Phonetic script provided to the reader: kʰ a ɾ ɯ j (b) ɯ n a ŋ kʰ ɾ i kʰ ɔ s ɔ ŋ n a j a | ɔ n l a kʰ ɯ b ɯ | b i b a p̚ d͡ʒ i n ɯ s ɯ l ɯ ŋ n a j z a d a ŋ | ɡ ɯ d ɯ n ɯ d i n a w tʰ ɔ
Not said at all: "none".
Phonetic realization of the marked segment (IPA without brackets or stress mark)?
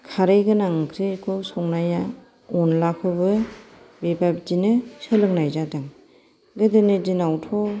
ɡ